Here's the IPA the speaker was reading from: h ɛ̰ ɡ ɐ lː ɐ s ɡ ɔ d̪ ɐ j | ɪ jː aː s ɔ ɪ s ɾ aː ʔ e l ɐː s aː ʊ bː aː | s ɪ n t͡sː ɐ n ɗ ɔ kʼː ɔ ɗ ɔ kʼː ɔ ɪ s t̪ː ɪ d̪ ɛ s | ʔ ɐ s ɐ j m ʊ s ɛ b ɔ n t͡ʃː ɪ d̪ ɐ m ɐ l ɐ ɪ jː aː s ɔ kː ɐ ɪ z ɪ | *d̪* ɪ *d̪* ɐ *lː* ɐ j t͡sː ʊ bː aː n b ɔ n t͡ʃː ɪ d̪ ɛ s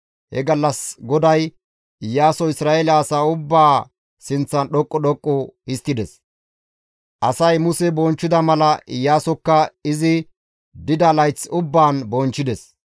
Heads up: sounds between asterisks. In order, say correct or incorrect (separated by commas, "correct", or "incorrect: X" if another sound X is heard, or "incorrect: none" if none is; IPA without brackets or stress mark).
correct, correct, incorrect: l